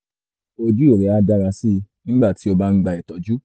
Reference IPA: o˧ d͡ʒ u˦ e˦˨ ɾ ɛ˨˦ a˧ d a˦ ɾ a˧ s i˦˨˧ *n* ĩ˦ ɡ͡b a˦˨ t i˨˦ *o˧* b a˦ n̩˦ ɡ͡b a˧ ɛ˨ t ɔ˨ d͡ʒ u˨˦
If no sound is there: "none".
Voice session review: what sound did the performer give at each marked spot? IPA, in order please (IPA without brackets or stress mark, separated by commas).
n, o˧